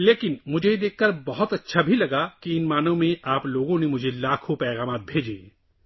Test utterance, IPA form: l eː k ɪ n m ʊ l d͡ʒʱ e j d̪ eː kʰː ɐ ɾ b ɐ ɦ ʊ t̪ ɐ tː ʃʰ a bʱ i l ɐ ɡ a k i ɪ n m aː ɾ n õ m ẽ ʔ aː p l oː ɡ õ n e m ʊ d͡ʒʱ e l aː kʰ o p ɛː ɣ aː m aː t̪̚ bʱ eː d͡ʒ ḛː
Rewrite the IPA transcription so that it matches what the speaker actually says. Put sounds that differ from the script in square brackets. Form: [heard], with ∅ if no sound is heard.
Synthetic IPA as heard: l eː k ɪ n m ʊ [∅] d͡ʒʱ e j d̪ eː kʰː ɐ ɾ b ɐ ɦ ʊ t̪ ɐ tː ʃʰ a bʱ i l ɐ ɡ a k i ɪ n m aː [∅] n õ m ẽ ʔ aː p l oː ɡ õ n e m ʊ d͡ʒʱ e l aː kʰ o p ɛː ɣ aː m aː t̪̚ bʱ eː d͡ʒ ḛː